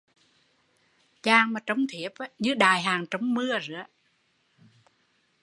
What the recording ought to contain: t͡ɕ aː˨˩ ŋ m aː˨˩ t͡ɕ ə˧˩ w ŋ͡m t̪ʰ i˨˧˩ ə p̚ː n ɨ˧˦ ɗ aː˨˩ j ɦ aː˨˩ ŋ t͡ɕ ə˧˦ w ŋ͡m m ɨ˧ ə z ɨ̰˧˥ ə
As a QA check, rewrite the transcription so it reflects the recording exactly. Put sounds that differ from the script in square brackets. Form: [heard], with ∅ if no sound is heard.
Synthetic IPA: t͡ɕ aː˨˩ ŋ m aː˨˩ t͡ɕ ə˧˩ w ŋ͡m t̪ʰ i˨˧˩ ə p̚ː [ɲ] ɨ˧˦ ɗ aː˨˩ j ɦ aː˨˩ ŋ t͡ɕ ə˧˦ w ŋ͡m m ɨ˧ ə z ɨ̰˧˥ ə